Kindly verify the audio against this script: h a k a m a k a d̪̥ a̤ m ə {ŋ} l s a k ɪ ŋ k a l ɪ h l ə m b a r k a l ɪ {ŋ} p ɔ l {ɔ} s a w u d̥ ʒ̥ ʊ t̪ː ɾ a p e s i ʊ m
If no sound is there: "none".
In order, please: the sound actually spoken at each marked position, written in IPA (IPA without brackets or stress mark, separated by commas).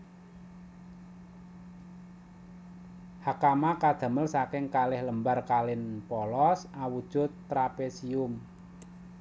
none, n, ɔ